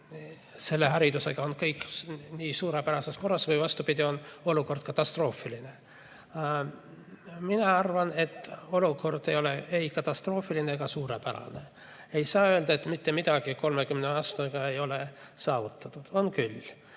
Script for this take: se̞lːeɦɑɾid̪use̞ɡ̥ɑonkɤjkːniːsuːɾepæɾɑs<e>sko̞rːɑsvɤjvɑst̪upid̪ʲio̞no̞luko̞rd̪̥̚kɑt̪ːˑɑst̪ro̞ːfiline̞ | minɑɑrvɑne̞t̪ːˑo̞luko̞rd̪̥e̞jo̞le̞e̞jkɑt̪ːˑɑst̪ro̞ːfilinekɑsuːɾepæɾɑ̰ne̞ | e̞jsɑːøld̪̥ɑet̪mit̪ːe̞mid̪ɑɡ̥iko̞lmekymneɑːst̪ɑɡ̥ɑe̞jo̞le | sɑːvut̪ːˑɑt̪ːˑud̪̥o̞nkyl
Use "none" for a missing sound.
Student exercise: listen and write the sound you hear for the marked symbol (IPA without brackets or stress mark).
e